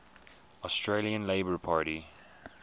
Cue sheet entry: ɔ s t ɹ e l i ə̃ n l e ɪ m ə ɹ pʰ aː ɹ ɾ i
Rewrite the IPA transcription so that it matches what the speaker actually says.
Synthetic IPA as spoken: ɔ s t ɹ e l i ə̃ n l e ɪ b ə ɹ pʰ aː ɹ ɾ i